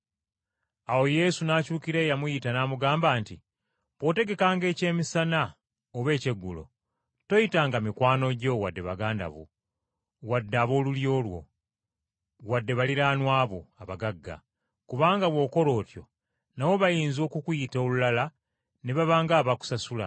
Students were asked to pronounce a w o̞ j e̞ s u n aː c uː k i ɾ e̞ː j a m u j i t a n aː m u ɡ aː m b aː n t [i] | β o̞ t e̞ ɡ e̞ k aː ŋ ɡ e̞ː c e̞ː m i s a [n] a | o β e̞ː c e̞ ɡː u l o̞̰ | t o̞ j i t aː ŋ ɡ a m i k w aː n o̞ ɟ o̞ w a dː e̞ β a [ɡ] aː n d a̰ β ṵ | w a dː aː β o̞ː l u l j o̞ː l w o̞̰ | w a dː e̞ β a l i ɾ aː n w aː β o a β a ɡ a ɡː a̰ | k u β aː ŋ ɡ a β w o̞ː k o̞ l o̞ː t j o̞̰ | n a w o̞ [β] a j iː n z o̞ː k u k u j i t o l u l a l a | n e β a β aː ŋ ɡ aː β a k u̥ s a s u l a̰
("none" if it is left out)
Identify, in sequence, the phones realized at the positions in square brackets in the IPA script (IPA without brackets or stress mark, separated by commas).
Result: i, n, ɡ, β